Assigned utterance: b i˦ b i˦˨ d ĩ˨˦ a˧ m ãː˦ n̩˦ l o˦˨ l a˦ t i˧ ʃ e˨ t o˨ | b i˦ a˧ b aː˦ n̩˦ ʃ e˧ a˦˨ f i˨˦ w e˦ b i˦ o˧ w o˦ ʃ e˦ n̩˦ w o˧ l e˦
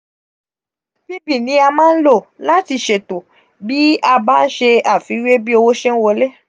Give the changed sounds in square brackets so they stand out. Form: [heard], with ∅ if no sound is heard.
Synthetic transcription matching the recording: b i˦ b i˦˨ [n] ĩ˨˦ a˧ m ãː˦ n̩˦ l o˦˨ l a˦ t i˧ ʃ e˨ t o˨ | b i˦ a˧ b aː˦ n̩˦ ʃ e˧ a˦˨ f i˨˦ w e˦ b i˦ o˧ w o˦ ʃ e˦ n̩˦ w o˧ l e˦